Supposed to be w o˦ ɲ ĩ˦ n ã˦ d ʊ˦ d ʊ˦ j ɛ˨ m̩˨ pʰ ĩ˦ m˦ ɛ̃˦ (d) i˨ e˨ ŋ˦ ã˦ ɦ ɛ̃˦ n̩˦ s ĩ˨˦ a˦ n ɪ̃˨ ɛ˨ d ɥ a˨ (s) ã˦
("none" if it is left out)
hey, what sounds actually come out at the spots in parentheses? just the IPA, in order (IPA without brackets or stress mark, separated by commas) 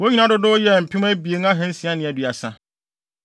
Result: b, s